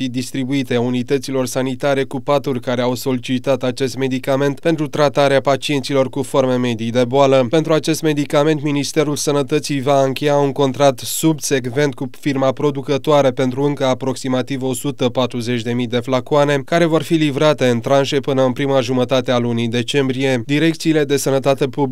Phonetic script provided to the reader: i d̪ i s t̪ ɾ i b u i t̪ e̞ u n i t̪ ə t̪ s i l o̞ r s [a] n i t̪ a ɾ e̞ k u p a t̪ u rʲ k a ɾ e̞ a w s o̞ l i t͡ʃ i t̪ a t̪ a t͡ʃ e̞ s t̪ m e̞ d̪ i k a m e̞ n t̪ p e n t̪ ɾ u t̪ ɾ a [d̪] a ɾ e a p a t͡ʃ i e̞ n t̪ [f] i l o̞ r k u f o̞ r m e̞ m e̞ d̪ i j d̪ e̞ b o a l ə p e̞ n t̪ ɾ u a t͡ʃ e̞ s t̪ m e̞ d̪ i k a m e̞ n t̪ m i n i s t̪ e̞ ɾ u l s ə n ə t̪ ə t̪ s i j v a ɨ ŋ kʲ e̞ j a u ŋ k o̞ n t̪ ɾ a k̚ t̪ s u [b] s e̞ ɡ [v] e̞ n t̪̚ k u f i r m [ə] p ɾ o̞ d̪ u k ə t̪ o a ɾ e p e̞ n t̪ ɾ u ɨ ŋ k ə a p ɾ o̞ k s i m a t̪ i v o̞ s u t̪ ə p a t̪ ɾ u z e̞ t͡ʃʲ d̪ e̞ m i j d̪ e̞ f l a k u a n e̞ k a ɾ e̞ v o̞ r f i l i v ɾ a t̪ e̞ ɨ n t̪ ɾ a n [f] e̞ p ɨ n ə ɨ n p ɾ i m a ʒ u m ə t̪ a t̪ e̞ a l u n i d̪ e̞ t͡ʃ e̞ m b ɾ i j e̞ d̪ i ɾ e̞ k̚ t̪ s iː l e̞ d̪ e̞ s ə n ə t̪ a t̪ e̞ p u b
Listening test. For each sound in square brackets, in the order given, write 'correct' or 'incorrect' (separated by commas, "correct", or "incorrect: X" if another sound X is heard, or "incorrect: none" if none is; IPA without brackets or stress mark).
correct, incorrect: t̪, incorrect: s, correct, correct, incorrect: a, incorrect: ʃ